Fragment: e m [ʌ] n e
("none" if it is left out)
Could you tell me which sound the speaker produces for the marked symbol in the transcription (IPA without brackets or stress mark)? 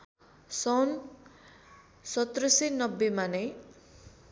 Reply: a